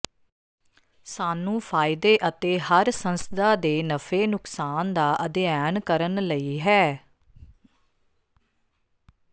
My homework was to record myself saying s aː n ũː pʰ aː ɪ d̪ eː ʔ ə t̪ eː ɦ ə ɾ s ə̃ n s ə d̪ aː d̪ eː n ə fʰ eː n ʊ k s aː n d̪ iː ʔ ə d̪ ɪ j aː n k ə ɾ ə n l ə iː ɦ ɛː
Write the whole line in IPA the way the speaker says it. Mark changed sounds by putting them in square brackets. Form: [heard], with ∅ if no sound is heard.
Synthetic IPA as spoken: s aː n ũː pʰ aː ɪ d̪ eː ʔ ə t̪ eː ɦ ə ɾ s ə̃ n s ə d̪ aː d̪ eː n ə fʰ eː n ʊ k s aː n d̪ [aː] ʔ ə d̪ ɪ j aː n k ə ɾ ə n l ə iː ɦ ɛː